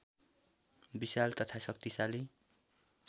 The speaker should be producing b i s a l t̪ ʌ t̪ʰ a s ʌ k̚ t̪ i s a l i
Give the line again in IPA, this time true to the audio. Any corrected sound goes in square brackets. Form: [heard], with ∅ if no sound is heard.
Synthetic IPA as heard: b i s a l t̪ ʌ t̪ʰ a s ʌ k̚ t̪ i s a l i